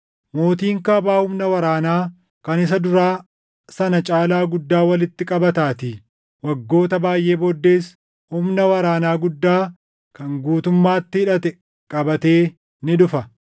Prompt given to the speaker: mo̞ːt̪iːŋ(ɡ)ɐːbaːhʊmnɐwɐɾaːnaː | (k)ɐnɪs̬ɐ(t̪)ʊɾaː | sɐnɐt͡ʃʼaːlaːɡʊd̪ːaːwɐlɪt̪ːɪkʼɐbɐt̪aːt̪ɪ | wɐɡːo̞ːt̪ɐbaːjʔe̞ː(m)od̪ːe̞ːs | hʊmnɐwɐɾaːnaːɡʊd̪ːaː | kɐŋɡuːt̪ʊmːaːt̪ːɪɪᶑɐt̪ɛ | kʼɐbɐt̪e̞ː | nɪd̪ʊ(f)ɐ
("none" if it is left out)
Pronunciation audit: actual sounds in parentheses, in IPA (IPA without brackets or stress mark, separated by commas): k, k, d̪, b, f